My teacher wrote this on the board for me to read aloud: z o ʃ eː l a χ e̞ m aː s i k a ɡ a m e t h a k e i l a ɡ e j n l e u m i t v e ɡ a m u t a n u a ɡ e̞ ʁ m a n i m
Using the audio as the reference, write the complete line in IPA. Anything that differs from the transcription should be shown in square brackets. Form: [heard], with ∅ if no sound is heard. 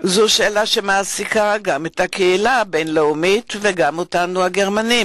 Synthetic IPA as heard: z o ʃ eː l a [ʃ] e̞ m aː s i k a ɡ a m e t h a k e i l a [b] e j n l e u m i t v e ɡ a m [o] t a n u a ɡ e̞ ʁ m a n i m